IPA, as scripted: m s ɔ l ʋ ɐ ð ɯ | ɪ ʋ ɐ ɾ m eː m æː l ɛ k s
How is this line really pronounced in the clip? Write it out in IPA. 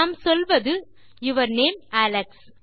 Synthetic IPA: m s ɔ l ʋ ɐ ð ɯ | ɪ ʋ ɐ ɾ n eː m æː l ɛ k s